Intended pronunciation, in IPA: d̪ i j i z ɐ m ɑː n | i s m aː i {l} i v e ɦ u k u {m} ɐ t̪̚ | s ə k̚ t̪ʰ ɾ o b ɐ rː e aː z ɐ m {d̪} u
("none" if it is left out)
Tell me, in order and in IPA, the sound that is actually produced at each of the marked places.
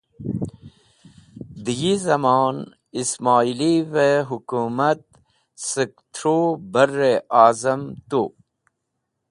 l, m, t̪

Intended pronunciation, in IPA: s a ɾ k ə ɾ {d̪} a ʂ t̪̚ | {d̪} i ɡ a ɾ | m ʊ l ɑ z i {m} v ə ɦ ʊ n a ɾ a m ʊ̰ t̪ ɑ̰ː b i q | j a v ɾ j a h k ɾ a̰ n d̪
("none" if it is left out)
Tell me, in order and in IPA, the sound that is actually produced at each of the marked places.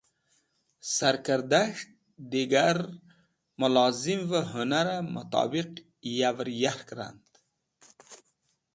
d̪, d̪, m

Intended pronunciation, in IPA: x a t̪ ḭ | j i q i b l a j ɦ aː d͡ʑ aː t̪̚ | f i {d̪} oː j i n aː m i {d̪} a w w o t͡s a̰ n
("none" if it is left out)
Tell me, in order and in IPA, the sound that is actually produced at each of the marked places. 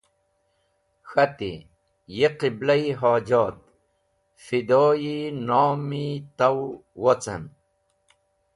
d̪, t̪

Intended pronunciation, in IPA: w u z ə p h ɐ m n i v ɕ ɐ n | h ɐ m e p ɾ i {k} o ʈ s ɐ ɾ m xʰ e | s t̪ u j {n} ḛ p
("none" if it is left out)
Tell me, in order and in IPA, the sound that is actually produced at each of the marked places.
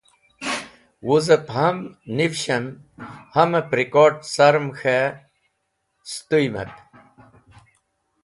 k, m

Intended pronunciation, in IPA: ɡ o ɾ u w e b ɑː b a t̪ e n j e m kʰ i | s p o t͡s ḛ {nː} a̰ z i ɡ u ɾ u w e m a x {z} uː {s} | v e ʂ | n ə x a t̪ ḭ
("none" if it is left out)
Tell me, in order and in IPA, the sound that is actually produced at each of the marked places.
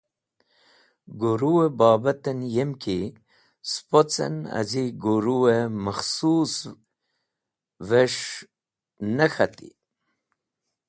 n, s, s

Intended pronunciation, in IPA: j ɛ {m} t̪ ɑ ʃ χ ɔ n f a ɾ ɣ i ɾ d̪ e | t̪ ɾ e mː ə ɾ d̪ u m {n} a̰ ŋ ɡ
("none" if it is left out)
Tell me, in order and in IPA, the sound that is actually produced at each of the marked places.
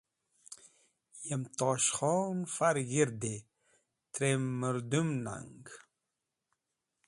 m, n

